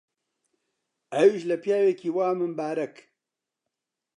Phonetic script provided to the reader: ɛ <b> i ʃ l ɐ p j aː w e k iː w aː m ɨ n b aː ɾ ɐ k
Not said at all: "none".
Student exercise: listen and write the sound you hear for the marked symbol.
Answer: w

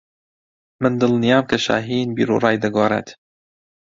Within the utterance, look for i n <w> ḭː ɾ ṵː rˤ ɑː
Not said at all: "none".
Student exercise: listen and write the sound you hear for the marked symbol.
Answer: b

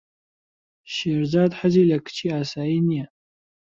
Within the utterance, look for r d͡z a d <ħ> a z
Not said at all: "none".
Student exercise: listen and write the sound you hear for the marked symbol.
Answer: ħ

